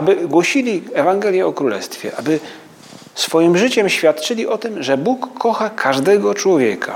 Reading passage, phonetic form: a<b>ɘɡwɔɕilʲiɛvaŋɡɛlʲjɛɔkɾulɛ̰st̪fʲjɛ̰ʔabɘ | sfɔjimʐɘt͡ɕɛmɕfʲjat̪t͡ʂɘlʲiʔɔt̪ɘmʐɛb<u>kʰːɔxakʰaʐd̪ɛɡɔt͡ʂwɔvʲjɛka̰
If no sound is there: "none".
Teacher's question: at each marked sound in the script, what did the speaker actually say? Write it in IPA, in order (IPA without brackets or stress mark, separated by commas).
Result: b, u